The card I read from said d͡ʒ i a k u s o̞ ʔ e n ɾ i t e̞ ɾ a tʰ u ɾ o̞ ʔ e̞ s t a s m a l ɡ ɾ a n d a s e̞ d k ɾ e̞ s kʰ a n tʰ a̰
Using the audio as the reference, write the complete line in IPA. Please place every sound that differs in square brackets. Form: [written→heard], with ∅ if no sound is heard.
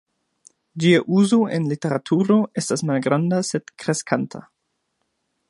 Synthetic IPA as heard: d͡ʒ i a [k→ʔ] u [s→z] o̞ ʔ e n [ɾ→l] i t e̞ ɾ a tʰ u ɾ o̞ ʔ e̞ s t a s m a l ɡ ɾ a n d a s e̞ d k ɾ e̞ s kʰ a n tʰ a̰